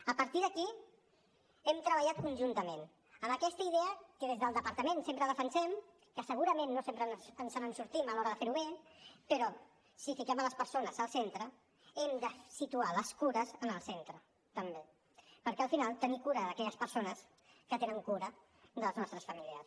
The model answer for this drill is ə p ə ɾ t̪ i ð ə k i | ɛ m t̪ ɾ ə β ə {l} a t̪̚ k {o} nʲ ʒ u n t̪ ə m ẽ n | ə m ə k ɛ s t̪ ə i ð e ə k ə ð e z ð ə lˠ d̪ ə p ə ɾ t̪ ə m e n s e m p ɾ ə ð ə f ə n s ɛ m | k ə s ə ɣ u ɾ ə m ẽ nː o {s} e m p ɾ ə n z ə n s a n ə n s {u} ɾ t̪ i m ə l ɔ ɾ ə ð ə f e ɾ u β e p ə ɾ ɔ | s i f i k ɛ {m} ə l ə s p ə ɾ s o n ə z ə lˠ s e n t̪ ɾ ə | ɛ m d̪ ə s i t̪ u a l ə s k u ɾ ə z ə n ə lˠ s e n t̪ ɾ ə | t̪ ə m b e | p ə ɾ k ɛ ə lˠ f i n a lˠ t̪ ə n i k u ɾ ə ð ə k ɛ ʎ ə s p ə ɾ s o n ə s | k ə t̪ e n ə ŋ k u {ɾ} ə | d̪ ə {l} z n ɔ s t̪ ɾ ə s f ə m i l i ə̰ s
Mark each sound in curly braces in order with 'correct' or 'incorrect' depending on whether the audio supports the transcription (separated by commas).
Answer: incorrect, incorrect, correct, correct, correct, correct, correct